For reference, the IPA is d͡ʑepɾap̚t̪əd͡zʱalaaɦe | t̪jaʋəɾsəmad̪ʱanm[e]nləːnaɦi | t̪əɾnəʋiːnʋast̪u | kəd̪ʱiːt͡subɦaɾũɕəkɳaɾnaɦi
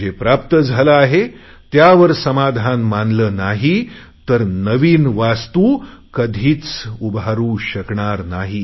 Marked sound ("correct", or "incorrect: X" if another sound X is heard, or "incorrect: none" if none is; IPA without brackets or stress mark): incorrect: a